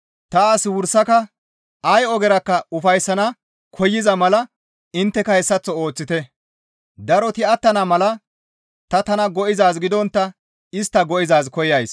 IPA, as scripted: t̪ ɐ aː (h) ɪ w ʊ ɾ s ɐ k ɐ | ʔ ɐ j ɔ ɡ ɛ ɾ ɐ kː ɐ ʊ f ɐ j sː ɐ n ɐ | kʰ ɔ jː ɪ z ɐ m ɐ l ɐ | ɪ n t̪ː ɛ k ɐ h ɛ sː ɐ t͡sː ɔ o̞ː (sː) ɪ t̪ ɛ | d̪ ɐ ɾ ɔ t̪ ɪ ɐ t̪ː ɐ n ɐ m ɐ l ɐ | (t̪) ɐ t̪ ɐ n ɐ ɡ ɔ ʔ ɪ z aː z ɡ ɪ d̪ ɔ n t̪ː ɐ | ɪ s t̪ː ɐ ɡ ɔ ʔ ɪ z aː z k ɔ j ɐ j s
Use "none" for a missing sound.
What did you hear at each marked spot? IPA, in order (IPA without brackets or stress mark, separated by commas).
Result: s, t͡sː, t̪